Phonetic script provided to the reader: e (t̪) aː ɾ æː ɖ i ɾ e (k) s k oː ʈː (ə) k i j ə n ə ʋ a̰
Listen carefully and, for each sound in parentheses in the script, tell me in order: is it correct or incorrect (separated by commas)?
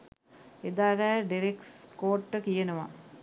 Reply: incorrect, correct, correct